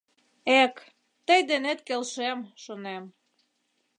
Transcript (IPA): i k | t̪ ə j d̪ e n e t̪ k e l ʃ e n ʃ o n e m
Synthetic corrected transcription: e k | t̪ ə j d̪ e n e t̪ k e l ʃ e m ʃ o n e m